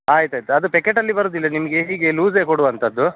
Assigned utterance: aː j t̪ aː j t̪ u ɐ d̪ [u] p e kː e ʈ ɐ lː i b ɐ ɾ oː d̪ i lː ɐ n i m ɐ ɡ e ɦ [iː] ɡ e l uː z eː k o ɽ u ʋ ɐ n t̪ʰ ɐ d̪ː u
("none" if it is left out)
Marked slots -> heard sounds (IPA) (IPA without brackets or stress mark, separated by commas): u, iː